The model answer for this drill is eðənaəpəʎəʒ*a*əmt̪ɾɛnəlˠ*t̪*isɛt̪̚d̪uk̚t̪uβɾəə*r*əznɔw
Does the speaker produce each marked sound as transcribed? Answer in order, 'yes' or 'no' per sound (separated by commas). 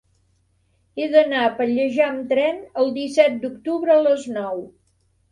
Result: yes, no, no